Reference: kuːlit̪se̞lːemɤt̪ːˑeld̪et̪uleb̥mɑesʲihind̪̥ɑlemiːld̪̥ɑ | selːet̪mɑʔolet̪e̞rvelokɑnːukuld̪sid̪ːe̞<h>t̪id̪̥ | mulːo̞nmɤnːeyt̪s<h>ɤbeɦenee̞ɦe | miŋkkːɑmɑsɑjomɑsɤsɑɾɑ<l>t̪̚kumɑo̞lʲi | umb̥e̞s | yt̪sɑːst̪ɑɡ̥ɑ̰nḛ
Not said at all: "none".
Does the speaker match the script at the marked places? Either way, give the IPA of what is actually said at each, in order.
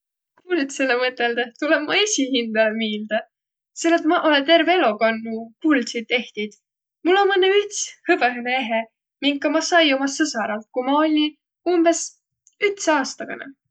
h, h, l

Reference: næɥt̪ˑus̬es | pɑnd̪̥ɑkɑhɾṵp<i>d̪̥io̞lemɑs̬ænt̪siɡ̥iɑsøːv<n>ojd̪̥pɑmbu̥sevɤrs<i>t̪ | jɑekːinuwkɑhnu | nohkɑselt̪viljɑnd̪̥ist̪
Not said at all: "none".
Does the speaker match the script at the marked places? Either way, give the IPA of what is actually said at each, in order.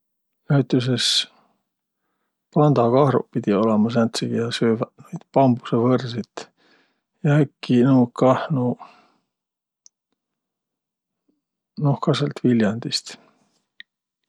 i, n, i

